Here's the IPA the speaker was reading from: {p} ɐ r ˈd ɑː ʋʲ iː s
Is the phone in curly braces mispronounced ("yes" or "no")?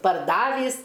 no